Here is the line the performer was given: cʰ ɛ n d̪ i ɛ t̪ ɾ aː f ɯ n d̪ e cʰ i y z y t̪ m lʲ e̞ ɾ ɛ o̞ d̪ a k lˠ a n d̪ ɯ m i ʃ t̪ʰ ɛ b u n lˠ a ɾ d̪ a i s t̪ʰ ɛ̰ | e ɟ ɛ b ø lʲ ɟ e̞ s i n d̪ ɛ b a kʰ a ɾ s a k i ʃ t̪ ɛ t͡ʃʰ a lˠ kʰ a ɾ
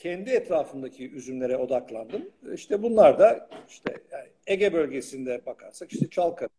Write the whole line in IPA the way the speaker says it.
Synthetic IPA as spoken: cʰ ɛ n d̪ i ɛ t̪ ɾ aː f ɯ n d̪ a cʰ i y z y m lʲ e̞ ɾ ɛ o̞ d̪ a k lˠ a n d̪ ɯ m i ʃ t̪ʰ ɛ b u n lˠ a ɾ d̪ a i ʃ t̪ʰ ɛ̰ | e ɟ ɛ b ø lʲ ɟ e̞ s i n d̪ ɛ b a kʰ a ɾ s a k i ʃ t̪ ɛ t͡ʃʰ a lˠ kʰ a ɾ